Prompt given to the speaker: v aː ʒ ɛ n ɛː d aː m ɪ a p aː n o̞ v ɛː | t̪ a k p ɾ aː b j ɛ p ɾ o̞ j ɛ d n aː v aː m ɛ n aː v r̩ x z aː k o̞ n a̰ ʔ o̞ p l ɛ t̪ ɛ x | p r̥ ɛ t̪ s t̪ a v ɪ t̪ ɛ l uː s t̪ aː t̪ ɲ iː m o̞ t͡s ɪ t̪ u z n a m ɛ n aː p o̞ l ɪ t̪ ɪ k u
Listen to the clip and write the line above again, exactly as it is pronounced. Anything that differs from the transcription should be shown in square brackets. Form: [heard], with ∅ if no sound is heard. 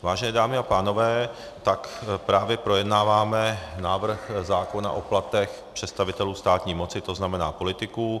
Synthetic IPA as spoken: v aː ʒ ɛ n ɛː d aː m ɪ a p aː n o̞ v ɛː | t̪ a k p ɾ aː [v] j ɛ p ɾ o̞ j ɛ d n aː v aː m ɛ n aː v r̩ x z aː k o̞ n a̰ ʔ o̞ p l [a] t̪ ɛ x | p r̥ ɛ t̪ s t̪ a v ɪ t̪ ɛ l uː s t̪ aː t̪ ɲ iː m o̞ t͡s ɪ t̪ [o] z n a m ɛ n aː p o̞ l ɪ t̪ ɪ k u